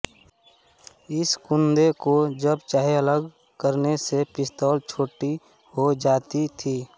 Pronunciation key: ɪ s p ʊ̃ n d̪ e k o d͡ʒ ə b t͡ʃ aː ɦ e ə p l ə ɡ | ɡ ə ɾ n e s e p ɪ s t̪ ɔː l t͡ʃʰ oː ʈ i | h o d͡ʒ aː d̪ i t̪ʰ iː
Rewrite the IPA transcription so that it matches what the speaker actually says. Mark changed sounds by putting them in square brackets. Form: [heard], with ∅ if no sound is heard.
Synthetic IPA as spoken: ɪ s [k] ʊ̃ n d̪ e k o d͡ʒ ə b t͡ʃ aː ɦ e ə [∅] l ə ɡ | [k] ə ɾ n e s e p ɪ s t̪ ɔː l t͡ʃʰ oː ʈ i | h o d͡ʒ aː [t̪] i t̪ʰ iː